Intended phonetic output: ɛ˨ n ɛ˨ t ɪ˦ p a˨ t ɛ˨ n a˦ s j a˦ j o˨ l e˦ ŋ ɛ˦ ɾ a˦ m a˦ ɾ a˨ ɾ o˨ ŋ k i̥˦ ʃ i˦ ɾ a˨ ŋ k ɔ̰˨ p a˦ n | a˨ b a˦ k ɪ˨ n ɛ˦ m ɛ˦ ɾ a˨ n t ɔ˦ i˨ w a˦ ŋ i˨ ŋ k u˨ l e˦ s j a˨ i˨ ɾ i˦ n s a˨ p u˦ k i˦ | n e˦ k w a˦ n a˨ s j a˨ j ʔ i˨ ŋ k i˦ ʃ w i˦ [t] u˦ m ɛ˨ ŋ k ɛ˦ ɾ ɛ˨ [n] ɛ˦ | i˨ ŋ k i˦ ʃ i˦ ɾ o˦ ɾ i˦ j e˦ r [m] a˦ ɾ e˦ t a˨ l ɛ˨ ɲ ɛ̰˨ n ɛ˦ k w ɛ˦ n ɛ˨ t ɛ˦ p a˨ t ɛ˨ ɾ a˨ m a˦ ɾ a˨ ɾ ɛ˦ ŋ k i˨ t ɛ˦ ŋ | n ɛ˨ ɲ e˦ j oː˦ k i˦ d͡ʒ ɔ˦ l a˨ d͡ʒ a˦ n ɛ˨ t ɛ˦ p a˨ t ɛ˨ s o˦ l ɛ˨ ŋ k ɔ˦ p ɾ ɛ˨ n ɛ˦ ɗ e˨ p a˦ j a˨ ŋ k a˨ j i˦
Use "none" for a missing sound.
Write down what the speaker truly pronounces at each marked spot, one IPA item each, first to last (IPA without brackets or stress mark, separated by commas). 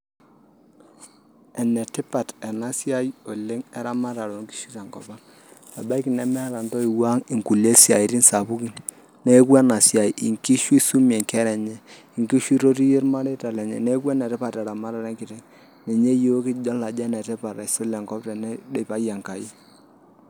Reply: s, ɲ, m